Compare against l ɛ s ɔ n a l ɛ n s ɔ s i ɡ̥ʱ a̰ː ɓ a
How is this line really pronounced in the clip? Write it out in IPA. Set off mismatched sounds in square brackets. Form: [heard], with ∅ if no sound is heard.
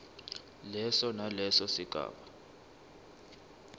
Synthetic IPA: l ɛ s ɔ n a l ɛ [∅] s ɔ s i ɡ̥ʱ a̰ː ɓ a